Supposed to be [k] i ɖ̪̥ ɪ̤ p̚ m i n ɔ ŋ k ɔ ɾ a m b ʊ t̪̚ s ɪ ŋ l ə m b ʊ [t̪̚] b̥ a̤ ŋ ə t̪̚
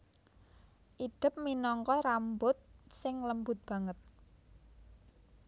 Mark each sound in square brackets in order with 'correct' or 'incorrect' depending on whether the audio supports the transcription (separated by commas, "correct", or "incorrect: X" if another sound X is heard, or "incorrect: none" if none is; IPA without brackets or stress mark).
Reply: incorrect: ʔ, correct